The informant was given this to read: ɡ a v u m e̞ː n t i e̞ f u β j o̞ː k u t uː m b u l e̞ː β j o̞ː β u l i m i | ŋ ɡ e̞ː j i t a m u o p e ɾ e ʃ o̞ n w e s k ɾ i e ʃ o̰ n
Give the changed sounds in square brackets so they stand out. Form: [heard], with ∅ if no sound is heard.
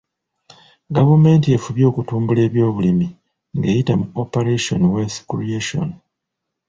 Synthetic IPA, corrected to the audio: ɡ a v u m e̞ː n t i e̞ f u β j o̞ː k u t uː m b u l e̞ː β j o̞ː β u l i m i | ŋ ɡ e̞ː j i t a m u o p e ɾ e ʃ o̞ n w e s k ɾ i e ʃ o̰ n